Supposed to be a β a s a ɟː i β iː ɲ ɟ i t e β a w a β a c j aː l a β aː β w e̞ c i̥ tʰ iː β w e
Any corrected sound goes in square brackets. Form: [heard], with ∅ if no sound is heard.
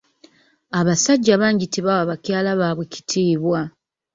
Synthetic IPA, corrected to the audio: a β a s a ɟː [a] β [aː] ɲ ɟ i t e β a w a β a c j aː l a β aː β w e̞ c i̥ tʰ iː β w [a]